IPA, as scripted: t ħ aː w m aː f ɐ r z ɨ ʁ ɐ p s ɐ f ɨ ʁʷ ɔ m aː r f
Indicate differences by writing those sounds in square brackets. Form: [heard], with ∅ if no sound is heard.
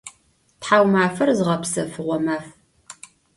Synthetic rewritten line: t ħ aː w m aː f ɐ r z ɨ ʁ ɐ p s ɐ f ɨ ʁʷ ɔ m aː [∅] f